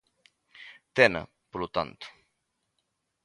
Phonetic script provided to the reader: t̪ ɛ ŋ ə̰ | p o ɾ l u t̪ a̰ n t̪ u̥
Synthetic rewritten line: t̪ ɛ n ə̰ | p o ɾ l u t̪ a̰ n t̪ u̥